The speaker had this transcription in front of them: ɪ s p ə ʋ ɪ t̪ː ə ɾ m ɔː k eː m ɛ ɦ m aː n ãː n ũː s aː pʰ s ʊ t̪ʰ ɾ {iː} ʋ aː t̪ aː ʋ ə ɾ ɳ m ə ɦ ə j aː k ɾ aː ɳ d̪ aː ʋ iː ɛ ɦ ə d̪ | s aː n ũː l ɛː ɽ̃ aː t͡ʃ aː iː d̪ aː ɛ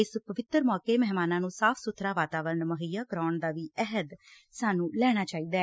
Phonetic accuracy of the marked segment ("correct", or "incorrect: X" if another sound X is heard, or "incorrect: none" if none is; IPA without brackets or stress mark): incorrect: aː